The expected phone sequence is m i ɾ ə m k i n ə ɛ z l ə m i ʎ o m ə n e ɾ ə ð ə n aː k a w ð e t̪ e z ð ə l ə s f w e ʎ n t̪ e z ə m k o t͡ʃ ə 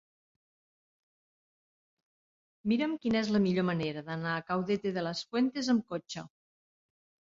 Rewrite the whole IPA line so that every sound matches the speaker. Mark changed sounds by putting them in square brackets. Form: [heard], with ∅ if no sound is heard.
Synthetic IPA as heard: m i ɾ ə m k i n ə ɛ z l ə m i ʎ o m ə n e ɾ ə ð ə n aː k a w ð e t̪ e [∅] ð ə l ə s f w e [∅] n t̪ e z ə m k o t͡ʃ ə